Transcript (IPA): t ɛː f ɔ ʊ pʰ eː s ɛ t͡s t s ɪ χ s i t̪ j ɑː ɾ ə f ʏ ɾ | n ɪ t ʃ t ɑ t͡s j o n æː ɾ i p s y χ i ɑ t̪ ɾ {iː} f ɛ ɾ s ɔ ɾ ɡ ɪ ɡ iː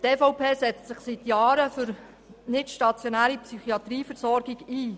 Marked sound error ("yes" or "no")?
no